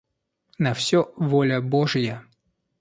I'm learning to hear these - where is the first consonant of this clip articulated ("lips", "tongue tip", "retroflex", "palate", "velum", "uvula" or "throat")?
tongue tip